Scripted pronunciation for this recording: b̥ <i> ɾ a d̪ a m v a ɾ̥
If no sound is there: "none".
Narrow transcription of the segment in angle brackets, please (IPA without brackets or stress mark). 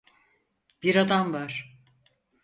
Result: i